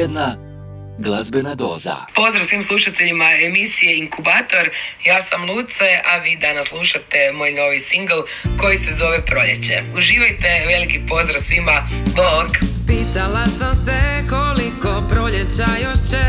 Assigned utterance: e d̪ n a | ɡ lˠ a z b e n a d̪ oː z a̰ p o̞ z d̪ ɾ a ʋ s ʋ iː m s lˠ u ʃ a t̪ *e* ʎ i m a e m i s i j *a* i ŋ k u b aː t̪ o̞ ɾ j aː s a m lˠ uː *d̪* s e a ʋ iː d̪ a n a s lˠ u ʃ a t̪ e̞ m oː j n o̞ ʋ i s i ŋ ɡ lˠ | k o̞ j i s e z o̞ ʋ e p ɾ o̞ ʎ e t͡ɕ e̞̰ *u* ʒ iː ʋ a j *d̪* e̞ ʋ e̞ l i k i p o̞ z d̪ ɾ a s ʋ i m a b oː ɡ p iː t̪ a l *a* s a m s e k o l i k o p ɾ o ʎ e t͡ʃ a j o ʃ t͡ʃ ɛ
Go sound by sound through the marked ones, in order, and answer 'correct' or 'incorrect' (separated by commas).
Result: correct, incorrect, incorrect, correct, incorrect, correct